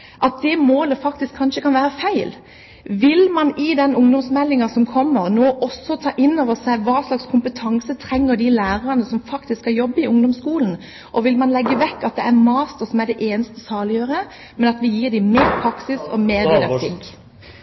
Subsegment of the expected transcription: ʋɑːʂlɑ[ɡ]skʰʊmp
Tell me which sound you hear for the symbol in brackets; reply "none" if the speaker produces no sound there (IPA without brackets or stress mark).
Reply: k